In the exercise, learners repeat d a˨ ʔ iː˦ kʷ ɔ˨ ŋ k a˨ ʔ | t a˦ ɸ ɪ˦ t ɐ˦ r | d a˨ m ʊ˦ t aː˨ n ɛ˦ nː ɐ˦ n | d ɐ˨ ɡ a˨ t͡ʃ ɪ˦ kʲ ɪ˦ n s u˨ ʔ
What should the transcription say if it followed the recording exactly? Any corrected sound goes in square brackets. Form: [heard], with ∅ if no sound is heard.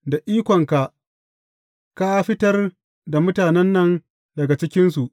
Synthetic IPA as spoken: d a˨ ʔ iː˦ kʷ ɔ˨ ŋ k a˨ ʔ | [k] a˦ ɸ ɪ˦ t ɐ˦ r | d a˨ m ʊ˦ t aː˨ n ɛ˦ nː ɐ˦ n | d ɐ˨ ɡ a˨ t͡ʃ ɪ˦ kʲ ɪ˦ n s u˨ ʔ